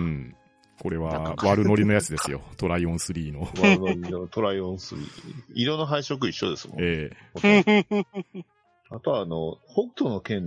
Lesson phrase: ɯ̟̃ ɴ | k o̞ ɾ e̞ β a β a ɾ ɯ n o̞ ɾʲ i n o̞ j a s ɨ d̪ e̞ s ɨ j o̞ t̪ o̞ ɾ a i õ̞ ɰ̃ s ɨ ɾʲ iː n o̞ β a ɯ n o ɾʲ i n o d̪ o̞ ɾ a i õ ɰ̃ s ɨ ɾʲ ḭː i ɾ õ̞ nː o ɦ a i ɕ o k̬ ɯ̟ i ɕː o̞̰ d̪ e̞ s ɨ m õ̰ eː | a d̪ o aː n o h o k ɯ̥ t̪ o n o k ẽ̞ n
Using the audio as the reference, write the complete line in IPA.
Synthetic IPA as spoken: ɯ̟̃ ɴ | k o̞ ɾ e̞ β a β a ɾ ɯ n o̞ ɾʲ i n o̞ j a t͡s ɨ d̪ e̞ s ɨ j o̞ t̪ o̞ ɾ a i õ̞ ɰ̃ s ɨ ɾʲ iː n o̞ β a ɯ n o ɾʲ i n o t̪ o̞ ɾ a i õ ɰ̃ s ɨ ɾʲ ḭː i ɾ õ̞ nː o ɦ a i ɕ o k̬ ɯ̟ i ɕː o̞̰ d̪ e̞ s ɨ m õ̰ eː | a t̪ o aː n o h o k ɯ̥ t̪ o n o k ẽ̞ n